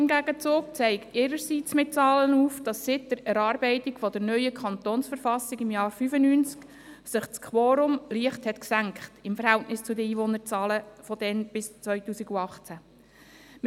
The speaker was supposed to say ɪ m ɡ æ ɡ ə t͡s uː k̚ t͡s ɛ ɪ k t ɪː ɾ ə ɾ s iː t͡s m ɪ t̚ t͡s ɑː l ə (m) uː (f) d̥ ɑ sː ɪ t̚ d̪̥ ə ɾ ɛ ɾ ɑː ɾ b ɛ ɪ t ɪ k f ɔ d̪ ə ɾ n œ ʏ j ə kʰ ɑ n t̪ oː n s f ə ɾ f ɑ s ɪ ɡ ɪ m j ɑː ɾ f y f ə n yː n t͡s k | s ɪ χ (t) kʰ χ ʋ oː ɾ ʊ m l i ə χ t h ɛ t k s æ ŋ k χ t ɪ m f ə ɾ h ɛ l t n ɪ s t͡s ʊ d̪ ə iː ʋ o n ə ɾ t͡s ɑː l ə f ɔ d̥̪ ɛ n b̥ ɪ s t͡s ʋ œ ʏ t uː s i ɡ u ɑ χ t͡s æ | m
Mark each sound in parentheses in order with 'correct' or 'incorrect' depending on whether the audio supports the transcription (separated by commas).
incorrect, correct, incorrect